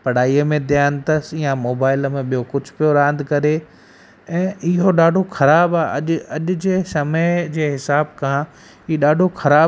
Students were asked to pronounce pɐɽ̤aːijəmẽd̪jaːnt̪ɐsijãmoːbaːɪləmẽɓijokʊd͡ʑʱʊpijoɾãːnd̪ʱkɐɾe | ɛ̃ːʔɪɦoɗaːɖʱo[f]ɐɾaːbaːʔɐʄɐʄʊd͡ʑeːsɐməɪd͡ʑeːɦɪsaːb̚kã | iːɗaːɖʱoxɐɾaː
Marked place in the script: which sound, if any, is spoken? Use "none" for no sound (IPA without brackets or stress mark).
x